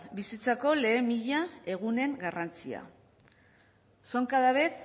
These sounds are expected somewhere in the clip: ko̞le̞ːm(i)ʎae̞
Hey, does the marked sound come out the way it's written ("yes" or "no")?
yes